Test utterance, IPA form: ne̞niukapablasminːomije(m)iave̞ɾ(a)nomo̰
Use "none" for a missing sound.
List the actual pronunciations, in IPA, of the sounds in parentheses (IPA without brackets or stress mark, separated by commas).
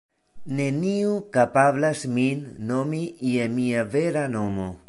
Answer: m, a